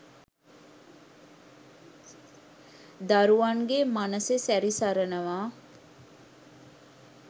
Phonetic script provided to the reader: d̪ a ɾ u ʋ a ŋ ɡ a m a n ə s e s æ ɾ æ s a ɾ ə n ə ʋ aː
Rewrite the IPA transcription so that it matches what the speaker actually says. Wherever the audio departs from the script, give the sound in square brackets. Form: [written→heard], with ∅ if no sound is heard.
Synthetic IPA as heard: d̪ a ɾ u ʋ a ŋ ɡ [a→e] m a n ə s e s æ ɾ [æ→i] s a ɾ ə n ə ʋ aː